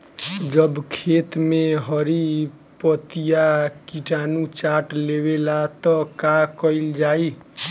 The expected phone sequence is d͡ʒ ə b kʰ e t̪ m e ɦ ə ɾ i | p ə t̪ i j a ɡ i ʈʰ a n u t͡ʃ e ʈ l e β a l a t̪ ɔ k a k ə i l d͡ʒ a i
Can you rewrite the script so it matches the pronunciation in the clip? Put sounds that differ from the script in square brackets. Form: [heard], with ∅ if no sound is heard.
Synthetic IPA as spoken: d͡ʒ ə b kʰ e t̪ m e ɦ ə ɾ i | p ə t̪ i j a [k] i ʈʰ a n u t͡ʃ [a] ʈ l e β [e] l a t̪ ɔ k a k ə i l d͡ʒ a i